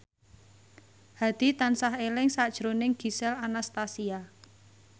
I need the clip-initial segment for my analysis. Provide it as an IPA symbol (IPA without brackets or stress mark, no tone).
h